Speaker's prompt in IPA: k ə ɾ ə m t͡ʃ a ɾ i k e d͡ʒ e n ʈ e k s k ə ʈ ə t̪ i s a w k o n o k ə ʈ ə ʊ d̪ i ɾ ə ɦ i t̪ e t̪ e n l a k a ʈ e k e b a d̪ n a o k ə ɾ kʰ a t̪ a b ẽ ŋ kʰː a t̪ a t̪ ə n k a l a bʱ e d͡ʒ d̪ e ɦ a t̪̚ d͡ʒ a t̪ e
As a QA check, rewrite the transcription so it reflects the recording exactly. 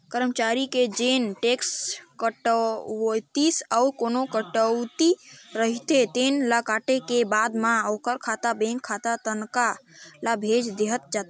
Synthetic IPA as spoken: k ə ɾ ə m t͡ʃ a ɾ i k e d͡ʒ e n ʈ e k s k ə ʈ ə t̪ i s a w k o n o k ə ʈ ə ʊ t̪ i ɾ ə ɦ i t̪ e t̪ e n l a k a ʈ e k e b a d̪ m a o k ə ɾ kʰ a t̪ a b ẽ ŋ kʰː a t̪ a t̪ ə n k a l a bʱ e d͡ʒ d̪ e ɦ ə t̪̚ d͡ʒ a t̪ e